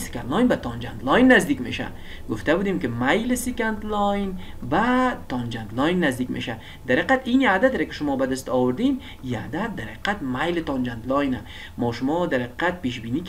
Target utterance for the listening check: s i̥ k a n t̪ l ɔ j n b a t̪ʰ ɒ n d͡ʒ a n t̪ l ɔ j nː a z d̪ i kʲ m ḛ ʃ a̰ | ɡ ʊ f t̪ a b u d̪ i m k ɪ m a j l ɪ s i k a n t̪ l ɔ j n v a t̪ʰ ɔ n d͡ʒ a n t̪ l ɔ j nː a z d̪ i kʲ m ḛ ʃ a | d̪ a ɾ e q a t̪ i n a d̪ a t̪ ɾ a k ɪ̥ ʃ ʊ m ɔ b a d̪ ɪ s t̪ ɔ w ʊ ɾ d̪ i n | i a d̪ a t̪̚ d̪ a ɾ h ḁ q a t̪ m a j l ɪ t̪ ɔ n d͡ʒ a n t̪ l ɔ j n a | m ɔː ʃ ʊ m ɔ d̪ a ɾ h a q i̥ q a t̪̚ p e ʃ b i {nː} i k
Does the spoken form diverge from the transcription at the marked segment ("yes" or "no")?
yes